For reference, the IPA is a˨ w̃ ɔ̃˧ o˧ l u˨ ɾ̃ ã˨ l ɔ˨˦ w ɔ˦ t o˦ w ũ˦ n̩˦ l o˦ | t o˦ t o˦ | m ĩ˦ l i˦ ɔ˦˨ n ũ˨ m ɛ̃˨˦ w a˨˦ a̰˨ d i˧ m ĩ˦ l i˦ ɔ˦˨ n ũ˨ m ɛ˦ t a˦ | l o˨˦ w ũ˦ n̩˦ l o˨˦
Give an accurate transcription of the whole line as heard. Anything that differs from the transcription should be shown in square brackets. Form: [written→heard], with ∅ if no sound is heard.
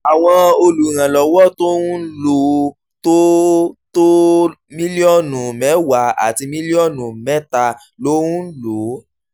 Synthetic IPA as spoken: a˨ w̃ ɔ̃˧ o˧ l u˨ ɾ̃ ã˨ l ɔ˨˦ w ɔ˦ t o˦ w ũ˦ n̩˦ l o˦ | t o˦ t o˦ | m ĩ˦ l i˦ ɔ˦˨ n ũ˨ m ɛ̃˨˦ w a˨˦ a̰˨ [d→t] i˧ m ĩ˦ l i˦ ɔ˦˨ n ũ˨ m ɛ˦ t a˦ | l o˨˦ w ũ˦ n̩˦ l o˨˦